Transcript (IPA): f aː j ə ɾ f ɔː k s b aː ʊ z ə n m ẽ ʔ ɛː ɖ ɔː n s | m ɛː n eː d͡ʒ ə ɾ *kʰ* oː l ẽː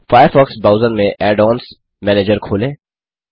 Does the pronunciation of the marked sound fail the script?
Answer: no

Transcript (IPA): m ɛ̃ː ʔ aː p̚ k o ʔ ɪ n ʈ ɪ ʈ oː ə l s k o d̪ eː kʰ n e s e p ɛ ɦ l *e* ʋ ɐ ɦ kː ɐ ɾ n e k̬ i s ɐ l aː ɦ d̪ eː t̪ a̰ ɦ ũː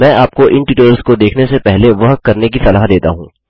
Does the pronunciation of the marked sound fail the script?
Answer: no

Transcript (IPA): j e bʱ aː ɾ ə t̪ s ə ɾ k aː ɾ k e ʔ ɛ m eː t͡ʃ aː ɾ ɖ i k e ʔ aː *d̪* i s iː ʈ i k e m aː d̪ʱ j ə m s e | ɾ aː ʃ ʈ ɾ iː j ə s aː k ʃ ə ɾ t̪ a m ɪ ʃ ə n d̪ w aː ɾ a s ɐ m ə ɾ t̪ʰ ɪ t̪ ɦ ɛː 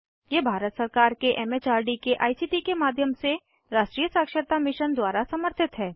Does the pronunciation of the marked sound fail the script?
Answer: yes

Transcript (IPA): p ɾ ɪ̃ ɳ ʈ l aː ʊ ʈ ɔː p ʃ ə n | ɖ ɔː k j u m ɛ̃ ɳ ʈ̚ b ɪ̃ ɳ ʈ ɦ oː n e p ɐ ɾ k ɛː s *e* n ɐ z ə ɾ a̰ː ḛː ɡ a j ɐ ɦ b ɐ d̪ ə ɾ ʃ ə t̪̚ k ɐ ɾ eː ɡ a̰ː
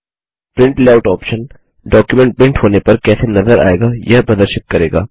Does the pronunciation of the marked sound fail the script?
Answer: no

